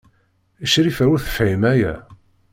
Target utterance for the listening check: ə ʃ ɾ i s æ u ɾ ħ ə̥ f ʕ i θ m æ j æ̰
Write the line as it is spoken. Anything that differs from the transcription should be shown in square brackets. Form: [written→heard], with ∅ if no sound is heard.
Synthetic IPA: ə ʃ ɾ i [s→f] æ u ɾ [ħ→θ] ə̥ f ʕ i [θ→∅] m æ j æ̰